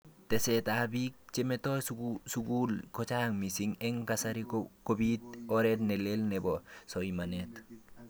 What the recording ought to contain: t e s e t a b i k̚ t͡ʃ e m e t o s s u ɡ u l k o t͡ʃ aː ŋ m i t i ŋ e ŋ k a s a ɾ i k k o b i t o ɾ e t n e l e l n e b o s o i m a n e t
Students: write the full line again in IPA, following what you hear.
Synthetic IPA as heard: t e s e t a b i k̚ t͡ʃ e m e t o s s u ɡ u l k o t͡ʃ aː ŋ m i s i ŋ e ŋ k a s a ɾ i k k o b i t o ɾ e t n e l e l n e b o s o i m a n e t